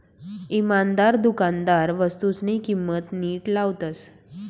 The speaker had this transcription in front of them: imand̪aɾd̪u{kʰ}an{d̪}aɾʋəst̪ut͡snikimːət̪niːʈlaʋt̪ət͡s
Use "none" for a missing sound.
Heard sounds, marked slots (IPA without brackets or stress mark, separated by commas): k, d̪